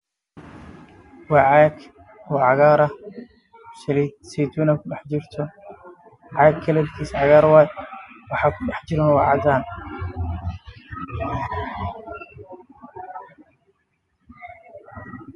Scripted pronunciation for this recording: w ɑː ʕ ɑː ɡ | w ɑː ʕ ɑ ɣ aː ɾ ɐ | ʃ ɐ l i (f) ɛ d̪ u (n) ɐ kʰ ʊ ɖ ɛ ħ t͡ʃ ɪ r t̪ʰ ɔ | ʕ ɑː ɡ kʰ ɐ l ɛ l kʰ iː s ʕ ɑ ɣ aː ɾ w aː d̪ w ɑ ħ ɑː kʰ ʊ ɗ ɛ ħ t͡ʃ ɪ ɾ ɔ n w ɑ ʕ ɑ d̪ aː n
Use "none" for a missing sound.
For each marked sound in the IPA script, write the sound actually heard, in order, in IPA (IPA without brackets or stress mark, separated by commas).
s, n